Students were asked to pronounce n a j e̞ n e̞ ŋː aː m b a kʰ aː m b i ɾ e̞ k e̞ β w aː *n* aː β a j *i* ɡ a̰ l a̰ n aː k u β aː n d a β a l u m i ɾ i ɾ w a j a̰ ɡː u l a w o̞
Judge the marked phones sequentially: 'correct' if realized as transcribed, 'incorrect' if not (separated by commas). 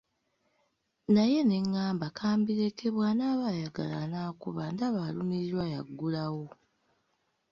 correct, incorrect